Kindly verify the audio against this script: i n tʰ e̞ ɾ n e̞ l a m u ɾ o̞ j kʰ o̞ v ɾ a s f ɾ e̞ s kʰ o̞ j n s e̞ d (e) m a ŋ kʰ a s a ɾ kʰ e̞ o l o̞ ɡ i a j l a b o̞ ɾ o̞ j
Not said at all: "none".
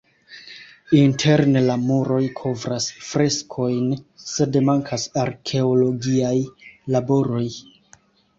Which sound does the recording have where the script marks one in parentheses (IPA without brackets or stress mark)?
e